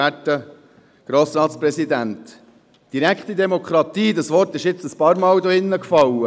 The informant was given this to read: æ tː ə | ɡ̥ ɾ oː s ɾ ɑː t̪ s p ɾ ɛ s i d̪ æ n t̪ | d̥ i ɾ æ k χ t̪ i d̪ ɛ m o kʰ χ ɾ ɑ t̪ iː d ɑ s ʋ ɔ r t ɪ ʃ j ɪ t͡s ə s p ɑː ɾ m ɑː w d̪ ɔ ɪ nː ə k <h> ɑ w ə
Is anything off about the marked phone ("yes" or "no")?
yes